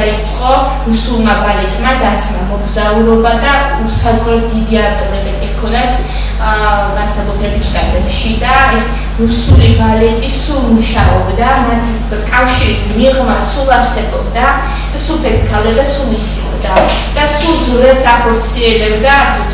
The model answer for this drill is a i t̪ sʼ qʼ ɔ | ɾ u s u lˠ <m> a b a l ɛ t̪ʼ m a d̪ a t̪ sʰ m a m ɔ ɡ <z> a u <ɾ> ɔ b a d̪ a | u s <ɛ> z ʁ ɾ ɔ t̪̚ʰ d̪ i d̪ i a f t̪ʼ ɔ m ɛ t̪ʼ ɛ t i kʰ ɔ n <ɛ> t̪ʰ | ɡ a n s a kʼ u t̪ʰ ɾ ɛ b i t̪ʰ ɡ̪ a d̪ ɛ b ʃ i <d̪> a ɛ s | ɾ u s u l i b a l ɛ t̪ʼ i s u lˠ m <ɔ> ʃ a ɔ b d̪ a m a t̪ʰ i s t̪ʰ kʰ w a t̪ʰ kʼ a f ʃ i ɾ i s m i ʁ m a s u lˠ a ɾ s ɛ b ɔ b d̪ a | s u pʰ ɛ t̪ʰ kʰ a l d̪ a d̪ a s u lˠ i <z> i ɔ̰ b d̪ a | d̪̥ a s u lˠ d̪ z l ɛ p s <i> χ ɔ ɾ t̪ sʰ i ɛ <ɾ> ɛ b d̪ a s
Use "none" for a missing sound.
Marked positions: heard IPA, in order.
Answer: m, z, ɾ, a, a, d̪, u, s, a, l

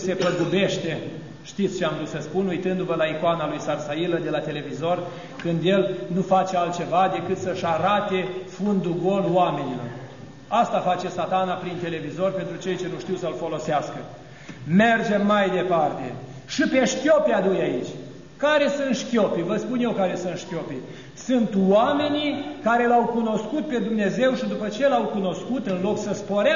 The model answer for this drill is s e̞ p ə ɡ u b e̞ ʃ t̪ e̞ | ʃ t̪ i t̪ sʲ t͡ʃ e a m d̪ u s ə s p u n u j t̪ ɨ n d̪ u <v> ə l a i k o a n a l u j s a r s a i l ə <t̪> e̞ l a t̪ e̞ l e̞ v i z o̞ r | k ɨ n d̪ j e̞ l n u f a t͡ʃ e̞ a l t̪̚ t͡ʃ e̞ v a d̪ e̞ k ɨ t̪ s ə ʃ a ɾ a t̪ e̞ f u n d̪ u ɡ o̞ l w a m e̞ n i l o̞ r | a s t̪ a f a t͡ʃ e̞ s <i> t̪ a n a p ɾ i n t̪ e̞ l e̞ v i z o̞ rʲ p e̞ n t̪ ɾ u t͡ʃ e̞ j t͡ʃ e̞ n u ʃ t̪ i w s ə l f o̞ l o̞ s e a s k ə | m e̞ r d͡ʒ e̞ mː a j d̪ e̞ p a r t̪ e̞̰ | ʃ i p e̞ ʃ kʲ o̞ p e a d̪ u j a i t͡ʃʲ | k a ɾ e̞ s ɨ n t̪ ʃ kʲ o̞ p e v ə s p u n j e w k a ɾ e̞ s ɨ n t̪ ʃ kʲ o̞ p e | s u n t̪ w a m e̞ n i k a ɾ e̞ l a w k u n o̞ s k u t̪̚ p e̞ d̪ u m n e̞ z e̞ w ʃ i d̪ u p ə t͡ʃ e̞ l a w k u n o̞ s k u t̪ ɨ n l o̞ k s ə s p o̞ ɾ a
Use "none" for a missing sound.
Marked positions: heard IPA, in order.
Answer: v, d̪, a

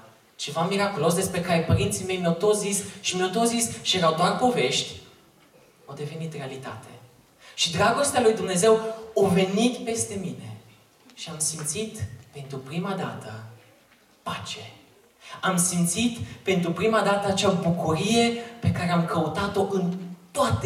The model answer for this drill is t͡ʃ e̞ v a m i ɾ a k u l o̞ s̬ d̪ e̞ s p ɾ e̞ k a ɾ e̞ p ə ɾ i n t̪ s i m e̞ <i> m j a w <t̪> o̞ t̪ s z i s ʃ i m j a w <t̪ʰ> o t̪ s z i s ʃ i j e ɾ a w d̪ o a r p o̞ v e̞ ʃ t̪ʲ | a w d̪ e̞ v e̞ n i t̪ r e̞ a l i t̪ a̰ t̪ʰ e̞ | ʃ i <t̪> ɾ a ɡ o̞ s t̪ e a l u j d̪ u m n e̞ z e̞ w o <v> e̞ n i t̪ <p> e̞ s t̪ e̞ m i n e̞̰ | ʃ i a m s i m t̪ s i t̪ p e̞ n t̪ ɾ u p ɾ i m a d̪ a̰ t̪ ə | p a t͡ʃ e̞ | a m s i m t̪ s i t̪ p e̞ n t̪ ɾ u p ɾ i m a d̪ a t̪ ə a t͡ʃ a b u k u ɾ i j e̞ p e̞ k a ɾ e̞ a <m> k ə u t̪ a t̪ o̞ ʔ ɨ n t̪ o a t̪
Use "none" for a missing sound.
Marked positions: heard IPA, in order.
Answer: j, t̪, t̪, d̪, v, p, m

